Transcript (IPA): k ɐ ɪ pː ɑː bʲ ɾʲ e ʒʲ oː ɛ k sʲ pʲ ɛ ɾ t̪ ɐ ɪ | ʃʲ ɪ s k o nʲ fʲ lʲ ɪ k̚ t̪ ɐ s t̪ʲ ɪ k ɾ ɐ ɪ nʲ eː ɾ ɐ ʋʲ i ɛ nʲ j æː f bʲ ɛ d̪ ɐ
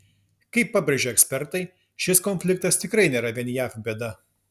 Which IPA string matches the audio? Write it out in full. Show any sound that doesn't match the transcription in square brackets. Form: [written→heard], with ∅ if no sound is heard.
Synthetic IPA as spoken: k ɐ ɪ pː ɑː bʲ ɾʲ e ʒʲ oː ɛ k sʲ pʲ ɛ ɾ t̪ ɐ ɪ | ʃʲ ɪ s k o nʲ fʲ lʲ ɪ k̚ t̪ ɐ s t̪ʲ ɪ k ɾ ɐ ɪ nʲ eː ɾ ɐ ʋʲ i ɛ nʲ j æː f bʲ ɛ d̪ ɐ